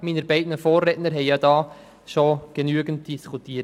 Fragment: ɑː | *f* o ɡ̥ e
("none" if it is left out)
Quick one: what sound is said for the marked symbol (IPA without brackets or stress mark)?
ʃ